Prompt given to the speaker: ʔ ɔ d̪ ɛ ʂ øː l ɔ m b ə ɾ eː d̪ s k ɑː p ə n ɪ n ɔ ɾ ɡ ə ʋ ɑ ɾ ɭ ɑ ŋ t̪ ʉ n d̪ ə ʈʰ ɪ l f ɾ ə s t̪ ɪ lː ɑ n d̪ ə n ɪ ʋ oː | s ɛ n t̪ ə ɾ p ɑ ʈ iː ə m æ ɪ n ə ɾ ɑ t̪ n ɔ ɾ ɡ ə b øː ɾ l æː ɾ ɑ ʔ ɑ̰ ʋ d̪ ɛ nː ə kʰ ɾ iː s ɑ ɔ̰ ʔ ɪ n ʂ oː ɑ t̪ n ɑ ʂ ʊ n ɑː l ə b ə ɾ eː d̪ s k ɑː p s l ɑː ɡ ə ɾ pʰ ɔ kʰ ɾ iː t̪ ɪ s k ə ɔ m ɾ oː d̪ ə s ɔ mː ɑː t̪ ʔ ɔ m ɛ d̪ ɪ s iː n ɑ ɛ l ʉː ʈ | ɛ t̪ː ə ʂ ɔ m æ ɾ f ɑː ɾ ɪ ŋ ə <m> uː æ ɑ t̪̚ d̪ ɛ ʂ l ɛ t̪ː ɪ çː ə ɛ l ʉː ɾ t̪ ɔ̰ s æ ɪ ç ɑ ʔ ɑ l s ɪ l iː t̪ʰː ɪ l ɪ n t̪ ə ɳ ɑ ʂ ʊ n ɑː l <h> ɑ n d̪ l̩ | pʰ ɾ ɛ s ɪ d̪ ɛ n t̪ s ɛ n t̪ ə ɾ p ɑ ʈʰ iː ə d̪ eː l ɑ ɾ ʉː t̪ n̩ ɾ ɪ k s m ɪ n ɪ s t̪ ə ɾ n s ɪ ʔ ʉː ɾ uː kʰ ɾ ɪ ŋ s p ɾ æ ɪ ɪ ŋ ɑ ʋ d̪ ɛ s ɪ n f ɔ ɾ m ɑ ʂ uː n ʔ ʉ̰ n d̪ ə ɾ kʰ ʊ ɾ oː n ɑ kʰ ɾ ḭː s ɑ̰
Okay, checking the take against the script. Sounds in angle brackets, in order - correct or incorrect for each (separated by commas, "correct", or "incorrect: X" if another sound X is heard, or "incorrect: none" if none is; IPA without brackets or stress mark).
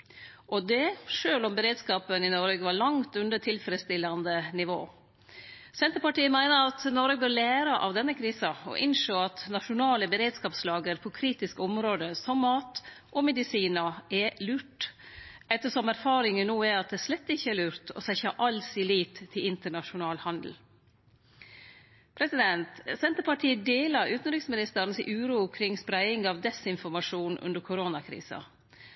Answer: incorrect: n, correct